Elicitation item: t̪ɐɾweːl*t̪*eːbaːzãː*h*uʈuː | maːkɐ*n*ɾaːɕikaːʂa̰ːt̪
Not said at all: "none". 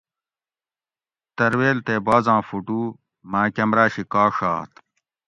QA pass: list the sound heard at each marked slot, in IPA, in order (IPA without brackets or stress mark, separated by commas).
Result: t̪, f, m